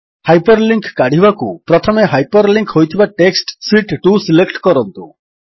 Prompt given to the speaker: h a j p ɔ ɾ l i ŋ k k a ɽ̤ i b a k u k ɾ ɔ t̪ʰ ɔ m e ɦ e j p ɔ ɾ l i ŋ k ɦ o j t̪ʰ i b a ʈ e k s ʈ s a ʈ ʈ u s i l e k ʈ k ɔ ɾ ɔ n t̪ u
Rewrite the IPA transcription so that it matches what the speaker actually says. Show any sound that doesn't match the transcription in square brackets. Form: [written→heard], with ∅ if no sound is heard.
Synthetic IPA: h a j p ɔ ɾ l i ŋ k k a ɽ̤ i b a k u [k→p] ɾ ɔ t̪ʰ ɔ m e ɦ [e→a] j p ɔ ɾ l i ŋ k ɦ o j t̪ʰ i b a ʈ e k s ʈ s [a→i] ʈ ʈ u s i l e k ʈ k ɔ ɾ ɔ n t̪ u

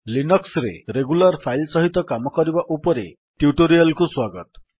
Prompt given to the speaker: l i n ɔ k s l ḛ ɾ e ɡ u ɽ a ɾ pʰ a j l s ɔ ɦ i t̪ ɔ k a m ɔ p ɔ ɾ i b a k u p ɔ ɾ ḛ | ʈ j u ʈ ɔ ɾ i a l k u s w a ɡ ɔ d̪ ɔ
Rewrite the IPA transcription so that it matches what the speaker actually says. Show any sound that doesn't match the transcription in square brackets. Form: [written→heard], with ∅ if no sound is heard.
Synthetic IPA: l i n ɔ k s [l→ɾ] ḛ ɾ e ɡ u [ɽ→l] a ɾ pʰ a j l s ɔ ɦ i t̪ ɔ k a m ɔ [p→k] ɔ ɾ i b a [k→ʔ] u p ɔ ɾ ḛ | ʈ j u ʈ [ɔ→o] ɾ i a l k u s w a ɡ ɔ [d̪→t̪] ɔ

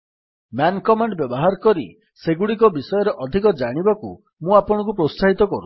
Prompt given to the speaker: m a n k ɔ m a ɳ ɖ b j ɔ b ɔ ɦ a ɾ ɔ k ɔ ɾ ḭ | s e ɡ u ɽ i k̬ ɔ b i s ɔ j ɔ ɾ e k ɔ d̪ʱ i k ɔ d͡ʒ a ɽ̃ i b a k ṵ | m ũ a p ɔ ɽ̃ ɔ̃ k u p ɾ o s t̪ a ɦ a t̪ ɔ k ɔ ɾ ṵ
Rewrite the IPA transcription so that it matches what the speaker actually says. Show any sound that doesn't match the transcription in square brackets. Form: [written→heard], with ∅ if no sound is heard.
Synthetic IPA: m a n k ɔ m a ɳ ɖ b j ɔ b ɔ ɦ a ɾ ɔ k ɔ ɾ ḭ | s e ɡ u ɽ i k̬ ɔ b i s ɔ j ɔ ɾ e [k→ʔ] ɔ d̪ʱ i k ɔ d͡ʒ a ɽ̃ i b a k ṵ | m ũ a p ɔ ɽ̃ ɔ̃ k u p ɾ o s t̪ a ɦ [a→i] t̪ ɔ k ɔ ɾ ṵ

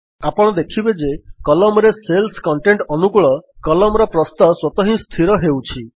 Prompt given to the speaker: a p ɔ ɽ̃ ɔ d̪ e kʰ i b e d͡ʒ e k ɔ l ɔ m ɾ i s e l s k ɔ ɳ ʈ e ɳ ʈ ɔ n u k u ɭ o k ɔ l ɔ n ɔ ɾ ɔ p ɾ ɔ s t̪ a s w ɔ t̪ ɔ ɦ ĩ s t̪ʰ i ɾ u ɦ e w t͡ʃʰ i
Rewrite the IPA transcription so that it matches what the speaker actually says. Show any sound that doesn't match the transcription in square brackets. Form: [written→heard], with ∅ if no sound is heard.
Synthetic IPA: a p ɔ ɽ̃ ɔ d̪ e kʰ i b e d͡ʒ e k ɔ l ɔ m ɾ [i→e] s e l s k ɔ ɳ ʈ e ɳ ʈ ɔ n u k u ɭ [o→ɔ] k ɔ l ɔ [n→m] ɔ ɾ ɔ p ɾ ɔ s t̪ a s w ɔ t̪ ɔ ɦ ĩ s t̪ʰ i ɾ [u→ɔ] ɦ e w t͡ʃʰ i

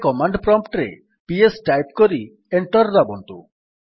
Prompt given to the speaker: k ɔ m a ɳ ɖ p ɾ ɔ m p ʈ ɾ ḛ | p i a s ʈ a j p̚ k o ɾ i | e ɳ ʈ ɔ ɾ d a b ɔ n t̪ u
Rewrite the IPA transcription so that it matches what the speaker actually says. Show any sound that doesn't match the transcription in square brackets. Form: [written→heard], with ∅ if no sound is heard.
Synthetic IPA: k ɔ m a ɳ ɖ p ɾ ɔ m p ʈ ɾ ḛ | p i [a→e] s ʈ a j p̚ k o ɾ i | e ɳ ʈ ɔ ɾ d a b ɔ n t̪ u

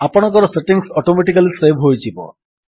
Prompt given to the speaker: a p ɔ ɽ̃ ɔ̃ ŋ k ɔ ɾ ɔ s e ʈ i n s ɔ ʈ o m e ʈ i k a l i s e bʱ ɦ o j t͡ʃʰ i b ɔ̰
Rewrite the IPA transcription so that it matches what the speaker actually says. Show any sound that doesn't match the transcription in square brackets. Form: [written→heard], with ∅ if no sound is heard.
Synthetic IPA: a p ɔ ɽ̃ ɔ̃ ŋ k ɔ ɾ ɔ s e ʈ i [n→ŋ] s ɔ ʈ o m e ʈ i k a l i s e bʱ ɦ o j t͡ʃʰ i b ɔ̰

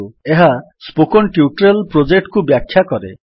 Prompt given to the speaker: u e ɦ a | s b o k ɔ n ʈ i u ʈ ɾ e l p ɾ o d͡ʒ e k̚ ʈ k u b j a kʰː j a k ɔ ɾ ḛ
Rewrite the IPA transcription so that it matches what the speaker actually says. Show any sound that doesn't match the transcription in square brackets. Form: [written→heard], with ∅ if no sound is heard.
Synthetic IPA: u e ɦ a | s [b→p] o k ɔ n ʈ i u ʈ ɾ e l p ɾ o d͡ʒ e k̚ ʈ k u b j a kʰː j a k ɔ ɾ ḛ

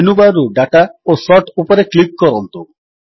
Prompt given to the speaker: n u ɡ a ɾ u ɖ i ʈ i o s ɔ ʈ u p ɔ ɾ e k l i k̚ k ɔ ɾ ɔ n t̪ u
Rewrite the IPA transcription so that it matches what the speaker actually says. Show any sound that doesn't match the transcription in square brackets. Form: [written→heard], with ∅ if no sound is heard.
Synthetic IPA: n u [ɡ→b] a ɾ u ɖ [i→a] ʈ [i→a] o s ɔ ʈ u p ɔ ɾ e k l i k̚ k ɔ ɾ ɔ n t̪ u

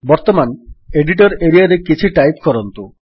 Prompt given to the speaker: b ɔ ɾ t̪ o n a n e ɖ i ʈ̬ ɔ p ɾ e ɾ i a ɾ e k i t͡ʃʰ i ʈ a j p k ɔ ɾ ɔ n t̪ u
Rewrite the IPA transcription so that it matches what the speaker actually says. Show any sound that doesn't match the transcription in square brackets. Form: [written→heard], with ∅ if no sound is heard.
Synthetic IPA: b ɔ ɾ t̪ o [n→m] a n e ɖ i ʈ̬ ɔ [p→∅] ɾ e ɾ i a ɾ e k i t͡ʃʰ i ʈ a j p k ɔ ɾ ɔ n t̪ u

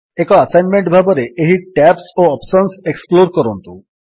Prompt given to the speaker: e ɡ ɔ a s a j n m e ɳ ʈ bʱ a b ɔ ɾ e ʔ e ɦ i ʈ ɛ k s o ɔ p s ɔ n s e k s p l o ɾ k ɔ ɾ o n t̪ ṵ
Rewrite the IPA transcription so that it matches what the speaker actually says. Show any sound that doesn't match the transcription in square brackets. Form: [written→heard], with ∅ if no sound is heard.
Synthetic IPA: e [ɡ→k] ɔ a s a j n m e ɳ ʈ bʱ a b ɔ ɾ e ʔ e ɦ i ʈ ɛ [k→p] s o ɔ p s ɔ n s e k s p l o ɾ k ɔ ɾ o n t̪ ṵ

